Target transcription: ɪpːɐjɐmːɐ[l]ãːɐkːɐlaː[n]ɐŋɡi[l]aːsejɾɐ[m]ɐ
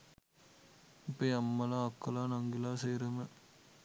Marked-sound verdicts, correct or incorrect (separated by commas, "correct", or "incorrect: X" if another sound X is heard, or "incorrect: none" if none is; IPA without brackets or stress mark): correct, correct, correct, correct